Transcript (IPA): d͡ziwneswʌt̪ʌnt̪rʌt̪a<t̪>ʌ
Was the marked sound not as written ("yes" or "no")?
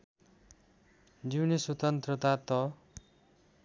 no